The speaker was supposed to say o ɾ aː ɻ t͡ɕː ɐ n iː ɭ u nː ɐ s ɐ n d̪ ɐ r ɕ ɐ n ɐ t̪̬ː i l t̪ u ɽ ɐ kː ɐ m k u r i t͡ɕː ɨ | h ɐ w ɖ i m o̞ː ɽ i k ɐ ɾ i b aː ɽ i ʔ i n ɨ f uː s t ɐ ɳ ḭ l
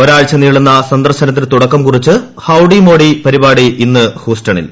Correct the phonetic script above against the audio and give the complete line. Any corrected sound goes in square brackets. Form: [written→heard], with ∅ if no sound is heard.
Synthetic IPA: o ɾ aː ɻ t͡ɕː ɐ n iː ɭ u nː ɐ s ɐ n d̪ ɐ r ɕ ɐ n ɐ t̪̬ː i l t̪ u ɽ ɐ kː ɐ m k u r i t͡ɕː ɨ | h ɐ w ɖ i m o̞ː ɽ i [k→p] ɐ ɾ i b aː ɽ i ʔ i [n→nː] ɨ [f→h] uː s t ɐ ɳ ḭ l